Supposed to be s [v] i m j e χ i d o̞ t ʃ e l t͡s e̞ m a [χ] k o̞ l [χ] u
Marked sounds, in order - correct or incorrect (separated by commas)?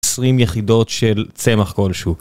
incorrect, correct, incorrect